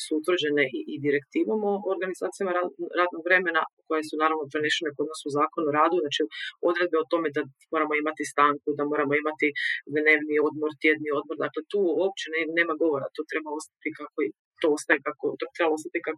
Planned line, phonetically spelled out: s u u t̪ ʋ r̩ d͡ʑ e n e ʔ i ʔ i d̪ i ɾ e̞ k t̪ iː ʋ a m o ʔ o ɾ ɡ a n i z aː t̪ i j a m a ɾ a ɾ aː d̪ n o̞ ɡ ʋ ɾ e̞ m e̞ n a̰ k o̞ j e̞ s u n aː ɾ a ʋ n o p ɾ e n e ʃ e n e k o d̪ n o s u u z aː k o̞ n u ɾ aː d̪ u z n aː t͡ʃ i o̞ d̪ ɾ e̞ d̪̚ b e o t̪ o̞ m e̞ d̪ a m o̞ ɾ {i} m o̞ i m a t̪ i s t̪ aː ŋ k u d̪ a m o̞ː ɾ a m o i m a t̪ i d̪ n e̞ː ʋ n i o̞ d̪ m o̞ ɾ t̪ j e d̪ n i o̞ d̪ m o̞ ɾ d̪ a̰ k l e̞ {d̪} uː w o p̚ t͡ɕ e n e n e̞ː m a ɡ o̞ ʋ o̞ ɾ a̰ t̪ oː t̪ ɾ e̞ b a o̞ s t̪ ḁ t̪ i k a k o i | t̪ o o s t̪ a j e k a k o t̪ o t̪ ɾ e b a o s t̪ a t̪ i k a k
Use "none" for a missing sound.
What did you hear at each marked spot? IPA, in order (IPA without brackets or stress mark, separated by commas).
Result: a, t̪